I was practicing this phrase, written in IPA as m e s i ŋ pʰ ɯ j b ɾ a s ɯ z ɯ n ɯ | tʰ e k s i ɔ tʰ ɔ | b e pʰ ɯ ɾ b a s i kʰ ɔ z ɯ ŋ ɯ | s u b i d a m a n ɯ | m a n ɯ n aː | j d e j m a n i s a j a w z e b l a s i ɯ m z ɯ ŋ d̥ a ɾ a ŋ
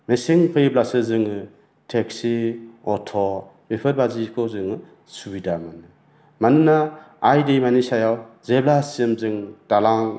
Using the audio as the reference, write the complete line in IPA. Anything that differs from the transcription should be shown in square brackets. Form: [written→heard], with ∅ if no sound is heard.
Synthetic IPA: m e s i ŋ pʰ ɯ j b [ɾ→l] a s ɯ z ɯ [n→ŋ] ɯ | tʰ e k s i ɔ tʰ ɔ | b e pʰ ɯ ɾ b a [s→z] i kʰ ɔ z ɯ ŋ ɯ | s u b i d a m a n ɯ | m a n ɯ n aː | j d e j m a n i s a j a w z e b l a s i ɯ m z ɯ ŋ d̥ a [ɾ→l] a ŋ